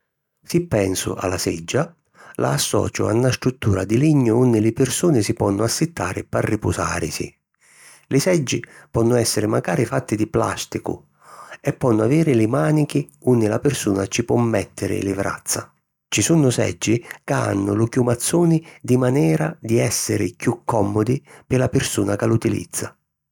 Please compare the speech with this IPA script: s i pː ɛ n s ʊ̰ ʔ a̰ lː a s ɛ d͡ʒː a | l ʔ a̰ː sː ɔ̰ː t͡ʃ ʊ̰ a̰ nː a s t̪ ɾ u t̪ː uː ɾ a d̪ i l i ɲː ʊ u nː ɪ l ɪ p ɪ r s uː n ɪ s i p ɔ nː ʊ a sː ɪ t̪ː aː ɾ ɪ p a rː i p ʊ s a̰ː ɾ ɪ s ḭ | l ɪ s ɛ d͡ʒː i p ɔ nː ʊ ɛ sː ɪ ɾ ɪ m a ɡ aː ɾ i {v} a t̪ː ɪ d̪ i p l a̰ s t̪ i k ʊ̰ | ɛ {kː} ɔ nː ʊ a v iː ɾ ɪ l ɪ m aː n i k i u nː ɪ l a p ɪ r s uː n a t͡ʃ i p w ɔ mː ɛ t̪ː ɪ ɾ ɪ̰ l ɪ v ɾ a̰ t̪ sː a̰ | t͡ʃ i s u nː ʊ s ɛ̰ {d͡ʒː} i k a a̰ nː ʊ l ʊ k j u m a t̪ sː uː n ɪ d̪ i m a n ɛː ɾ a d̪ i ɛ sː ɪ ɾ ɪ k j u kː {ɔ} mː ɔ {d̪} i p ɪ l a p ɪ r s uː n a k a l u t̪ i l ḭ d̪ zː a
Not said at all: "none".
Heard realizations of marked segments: f, pː, d͡ʒː, ɔ, d̪

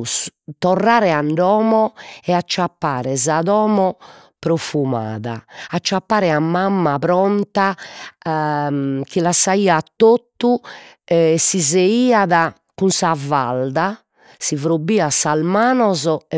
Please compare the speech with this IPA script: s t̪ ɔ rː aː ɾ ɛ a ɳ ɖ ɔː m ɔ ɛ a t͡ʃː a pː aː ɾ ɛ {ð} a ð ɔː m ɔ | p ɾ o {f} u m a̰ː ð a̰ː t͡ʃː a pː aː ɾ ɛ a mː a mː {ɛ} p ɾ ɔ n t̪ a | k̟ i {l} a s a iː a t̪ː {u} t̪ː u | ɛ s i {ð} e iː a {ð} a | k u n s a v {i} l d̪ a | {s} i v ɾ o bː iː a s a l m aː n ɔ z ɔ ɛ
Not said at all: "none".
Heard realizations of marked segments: z, f, a, l, o, z, ð, a, s

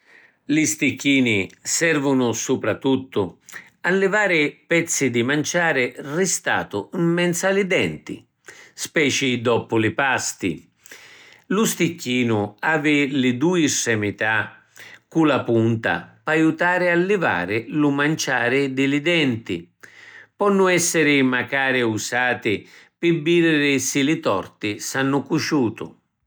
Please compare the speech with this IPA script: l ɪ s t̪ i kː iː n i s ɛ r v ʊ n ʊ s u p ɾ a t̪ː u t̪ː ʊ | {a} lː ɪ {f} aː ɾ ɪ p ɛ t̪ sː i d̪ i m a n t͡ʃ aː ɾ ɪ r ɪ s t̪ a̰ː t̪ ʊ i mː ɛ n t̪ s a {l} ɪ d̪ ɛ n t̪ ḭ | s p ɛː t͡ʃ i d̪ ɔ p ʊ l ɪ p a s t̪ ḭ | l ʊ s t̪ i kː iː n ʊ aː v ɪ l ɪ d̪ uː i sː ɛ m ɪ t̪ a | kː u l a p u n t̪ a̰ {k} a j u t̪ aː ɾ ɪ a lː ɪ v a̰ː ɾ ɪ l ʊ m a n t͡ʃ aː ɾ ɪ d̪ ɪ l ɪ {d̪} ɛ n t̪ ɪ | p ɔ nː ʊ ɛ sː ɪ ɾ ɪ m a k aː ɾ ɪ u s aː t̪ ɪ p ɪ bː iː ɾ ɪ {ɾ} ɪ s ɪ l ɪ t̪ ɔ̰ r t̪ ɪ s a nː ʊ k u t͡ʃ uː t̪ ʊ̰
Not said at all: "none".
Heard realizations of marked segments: a, v, l, p, d̪, ɾ

